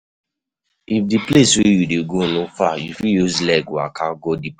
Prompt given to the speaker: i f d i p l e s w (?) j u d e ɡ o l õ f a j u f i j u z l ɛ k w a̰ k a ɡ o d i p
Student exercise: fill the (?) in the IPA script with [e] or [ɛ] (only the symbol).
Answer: e